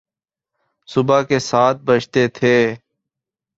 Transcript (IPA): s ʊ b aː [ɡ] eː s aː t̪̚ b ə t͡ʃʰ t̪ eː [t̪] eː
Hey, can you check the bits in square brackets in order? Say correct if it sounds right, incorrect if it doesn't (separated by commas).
incorrect, incorrect